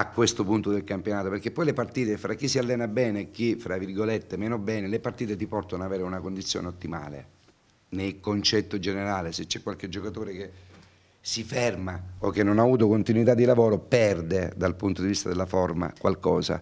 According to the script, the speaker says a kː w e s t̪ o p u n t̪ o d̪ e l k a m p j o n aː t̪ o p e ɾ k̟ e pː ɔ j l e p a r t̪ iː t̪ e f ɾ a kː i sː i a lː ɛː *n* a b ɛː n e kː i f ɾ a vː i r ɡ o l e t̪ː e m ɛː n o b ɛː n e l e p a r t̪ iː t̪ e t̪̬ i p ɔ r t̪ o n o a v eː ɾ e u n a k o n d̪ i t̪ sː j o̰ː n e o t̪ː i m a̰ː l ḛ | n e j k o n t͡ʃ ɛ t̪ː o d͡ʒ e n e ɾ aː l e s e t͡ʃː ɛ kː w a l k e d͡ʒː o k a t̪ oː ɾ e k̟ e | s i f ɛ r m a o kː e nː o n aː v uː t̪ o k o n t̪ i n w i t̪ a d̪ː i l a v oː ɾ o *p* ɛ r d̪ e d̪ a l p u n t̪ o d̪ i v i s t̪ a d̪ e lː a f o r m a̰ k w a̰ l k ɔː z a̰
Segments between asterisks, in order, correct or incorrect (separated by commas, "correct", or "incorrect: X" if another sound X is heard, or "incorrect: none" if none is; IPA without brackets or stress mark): correct, correct